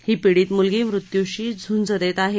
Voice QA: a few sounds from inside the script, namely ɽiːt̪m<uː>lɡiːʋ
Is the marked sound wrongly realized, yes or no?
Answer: yes